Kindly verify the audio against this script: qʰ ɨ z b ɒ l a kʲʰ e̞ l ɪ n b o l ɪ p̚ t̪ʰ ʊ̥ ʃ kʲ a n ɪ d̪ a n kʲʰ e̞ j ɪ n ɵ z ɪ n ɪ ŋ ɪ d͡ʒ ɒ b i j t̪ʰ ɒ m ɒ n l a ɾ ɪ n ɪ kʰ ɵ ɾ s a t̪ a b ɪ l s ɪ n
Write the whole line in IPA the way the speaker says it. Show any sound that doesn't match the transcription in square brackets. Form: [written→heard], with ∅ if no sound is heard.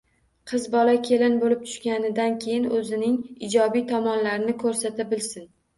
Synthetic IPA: qʰ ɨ z b ɒ l a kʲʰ e̞ l ɪ n b o l ɪ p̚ t̪ʰ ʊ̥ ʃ kʲ a n ɪ d̪ a n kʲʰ e̞ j ɪ n ɵ z ɪ n ɪ ŋ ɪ d͡ʒ ɒ b i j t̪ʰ ɒ m ɒ n l a ɾ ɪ n ɪ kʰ ɵ ɾ s a t̪ a b ɪ l s ɪ n